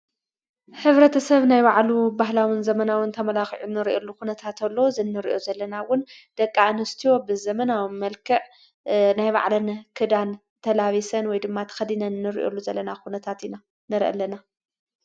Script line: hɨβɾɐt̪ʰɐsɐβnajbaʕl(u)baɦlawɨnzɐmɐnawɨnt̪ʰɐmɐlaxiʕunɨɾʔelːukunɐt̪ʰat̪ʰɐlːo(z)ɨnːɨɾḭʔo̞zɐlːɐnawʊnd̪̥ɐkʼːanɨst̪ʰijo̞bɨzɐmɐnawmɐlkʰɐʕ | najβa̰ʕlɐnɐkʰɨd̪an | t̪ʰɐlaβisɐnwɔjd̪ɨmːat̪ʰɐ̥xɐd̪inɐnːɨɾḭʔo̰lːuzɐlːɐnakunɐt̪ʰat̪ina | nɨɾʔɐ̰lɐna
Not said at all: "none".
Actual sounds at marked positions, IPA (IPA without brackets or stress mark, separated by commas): u, z